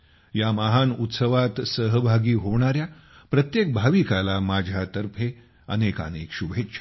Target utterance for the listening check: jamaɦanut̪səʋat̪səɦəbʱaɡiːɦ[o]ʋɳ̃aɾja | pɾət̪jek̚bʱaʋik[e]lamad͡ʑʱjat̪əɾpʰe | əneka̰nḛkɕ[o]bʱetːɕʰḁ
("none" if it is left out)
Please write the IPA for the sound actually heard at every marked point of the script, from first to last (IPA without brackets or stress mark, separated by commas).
o, a, u